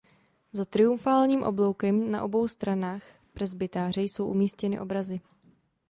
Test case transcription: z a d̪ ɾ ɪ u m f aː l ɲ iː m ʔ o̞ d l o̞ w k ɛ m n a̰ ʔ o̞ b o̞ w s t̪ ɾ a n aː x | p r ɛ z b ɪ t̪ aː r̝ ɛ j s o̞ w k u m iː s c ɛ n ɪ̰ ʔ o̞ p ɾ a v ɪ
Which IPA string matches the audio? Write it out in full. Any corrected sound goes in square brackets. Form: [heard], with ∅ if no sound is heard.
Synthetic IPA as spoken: z a [t̪] ɾ ɪ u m f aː l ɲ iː m ʔ o̞ [b] l o̞ w k ɛ m n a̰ ʔ o̞ b o̞ w s t̪ ɾ a n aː x | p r ɛ z b ɪ t̪ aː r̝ ɛ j s o̞ w [ʔ] u m iː s c ɛ n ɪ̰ ʔ o̞ [b] ɾ a [z] ɪ